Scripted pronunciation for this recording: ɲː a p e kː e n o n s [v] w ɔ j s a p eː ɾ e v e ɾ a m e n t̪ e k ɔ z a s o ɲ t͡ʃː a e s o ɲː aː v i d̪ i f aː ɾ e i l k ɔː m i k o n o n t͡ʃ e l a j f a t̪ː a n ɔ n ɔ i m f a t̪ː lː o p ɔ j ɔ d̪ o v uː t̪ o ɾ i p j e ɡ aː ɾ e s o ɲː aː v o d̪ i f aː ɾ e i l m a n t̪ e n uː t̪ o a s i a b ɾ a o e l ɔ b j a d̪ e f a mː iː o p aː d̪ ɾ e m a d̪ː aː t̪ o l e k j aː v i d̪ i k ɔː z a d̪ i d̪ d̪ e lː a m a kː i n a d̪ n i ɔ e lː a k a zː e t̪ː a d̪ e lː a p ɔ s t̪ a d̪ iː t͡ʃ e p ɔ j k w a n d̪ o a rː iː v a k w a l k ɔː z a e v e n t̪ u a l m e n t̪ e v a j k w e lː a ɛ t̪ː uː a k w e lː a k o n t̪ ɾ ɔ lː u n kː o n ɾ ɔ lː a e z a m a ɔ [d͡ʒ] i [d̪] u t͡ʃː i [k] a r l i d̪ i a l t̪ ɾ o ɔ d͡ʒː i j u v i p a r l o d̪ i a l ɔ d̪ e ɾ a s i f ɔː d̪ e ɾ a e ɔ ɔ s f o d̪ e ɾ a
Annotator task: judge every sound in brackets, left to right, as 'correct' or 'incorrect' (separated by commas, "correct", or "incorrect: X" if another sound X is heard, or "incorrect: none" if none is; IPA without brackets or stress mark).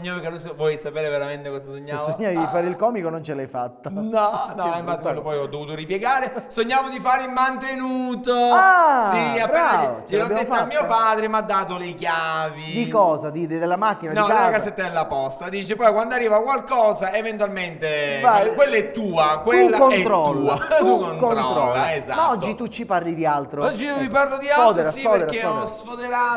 correct, incorrect: d͡ʒː, incorrect: t̪, incorrect: p